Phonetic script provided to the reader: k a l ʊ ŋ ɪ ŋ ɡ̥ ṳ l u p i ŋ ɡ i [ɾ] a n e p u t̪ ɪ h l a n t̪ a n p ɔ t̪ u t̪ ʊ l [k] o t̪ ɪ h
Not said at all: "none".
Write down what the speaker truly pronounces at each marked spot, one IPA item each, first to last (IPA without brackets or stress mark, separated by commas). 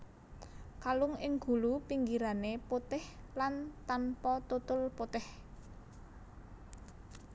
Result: ɾ, p